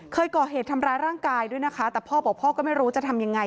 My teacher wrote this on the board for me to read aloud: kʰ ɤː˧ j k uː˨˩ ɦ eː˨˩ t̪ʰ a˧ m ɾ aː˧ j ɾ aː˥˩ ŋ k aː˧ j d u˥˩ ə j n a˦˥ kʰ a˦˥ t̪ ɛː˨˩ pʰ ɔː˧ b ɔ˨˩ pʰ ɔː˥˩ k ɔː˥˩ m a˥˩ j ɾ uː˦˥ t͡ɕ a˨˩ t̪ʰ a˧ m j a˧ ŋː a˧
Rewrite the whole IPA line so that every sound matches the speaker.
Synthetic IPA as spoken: kʰ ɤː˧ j k ɔː˨˩ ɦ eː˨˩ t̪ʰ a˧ m ɾ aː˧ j ɾ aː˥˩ ŋ k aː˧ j d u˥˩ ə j n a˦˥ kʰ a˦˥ t̪ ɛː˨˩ pʰ ɔː˥˩ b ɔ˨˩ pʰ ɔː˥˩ k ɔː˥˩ m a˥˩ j ɾ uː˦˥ t͡ɕ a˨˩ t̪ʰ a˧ m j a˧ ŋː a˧